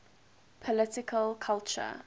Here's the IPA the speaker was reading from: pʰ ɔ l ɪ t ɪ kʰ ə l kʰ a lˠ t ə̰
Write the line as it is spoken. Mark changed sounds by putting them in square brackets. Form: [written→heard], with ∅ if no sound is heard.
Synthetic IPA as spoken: pʰ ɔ l ɪ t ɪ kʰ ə l kʰ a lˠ [t→t͡ʃ] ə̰

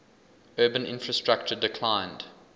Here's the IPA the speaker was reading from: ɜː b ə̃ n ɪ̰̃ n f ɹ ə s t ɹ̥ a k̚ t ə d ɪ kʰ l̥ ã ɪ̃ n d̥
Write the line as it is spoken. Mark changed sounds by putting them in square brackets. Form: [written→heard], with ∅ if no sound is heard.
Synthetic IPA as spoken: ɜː b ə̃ n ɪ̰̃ n f ɹ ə s t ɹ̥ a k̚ [t→t͡ʃ] ə d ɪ kʰ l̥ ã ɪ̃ n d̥

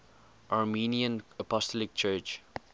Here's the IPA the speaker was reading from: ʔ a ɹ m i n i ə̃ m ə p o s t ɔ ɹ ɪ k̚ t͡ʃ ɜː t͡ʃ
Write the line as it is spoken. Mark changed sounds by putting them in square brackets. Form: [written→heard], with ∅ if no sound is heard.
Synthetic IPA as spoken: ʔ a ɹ m i n i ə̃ [m→n] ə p [o→ɔ] s t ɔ [ɹ→l] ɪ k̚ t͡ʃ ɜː t͡ʃ

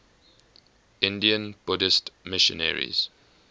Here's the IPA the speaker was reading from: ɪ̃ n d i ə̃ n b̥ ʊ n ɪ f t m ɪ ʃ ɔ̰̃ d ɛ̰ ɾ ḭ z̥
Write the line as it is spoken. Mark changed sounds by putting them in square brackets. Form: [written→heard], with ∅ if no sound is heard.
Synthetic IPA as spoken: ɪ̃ n d i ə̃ n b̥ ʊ [n→d] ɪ [f→s] t m ɪ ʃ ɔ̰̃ [d→n] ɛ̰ [ɾ→ɹ] ḭ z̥

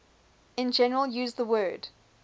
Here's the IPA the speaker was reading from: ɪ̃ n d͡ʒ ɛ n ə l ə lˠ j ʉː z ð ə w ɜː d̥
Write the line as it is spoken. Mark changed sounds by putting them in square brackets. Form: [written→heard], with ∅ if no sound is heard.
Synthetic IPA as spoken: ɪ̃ n d͡ʒ ɛ n ə [l→ɹ] ə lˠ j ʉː z ð ə w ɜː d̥

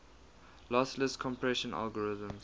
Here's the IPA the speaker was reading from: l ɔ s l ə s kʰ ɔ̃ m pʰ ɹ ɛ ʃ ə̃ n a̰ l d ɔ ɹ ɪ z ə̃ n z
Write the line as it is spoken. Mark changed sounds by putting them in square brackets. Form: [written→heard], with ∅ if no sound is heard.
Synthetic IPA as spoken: l ɔ s l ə s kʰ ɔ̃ m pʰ ɹ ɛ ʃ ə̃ n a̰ l [d→ɡ] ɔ ɹ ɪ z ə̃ [n→m] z

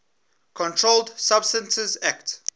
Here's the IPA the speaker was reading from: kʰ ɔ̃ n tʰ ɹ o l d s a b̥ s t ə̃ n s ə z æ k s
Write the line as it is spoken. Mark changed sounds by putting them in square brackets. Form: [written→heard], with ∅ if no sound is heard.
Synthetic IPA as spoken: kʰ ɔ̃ n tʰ ɹ o l d s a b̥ s t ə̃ n s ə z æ k [s→t]

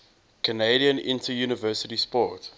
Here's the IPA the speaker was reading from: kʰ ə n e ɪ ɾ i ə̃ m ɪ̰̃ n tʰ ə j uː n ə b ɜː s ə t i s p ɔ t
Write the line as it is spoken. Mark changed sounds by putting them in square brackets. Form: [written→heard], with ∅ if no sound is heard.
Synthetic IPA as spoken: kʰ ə n e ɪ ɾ i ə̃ [m→n] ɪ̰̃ n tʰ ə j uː n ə [b→v] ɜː s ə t i s p ɔ t

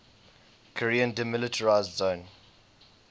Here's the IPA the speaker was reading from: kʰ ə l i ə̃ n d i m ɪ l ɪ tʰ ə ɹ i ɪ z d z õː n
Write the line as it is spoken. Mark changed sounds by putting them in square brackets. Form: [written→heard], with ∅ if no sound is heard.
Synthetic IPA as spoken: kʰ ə [l→ɹ] i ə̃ n d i m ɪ l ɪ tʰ ə ɹ [i→a] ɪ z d z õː n

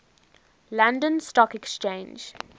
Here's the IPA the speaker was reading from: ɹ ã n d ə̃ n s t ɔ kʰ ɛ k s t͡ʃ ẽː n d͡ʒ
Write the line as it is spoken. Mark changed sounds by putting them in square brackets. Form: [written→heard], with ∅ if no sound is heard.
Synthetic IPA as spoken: [ɹ→l] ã n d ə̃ n s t ɔ [kʰ→k] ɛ k s t͡ʃ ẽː n d͡ʒ

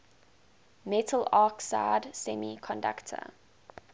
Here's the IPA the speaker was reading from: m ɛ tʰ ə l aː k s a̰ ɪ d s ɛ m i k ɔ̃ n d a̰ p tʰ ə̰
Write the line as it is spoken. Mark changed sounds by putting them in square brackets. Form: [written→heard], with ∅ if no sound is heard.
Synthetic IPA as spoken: m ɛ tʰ ə l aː k s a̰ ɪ d s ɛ m i [k→kʰ] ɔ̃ n d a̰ [p→k] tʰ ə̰

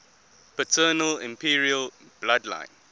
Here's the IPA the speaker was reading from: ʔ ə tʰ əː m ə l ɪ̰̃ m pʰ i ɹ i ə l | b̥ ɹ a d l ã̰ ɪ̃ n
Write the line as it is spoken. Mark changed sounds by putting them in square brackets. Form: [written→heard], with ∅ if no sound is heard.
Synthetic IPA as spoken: [ʔ→p] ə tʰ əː [m→n] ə l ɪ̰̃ m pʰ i ɹ i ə l | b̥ [ɹ→l] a d l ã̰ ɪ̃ n

